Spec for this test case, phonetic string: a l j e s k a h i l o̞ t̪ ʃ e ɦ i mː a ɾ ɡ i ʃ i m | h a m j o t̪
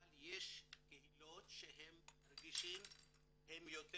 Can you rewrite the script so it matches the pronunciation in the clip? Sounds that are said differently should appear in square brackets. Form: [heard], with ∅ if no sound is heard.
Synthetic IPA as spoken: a l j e [ʃ] k [e] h i l o̞ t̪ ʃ e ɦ [e] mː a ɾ ɡ i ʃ i m | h [e] m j o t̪